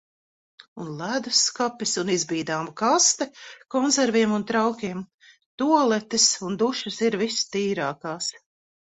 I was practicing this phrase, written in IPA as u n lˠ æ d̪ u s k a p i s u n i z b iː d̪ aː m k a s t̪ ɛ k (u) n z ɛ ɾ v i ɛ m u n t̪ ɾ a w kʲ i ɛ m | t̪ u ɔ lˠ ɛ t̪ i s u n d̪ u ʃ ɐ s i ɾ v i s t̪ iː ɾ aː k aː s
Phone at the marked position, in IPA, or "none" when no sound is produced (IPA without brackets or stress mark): ɔ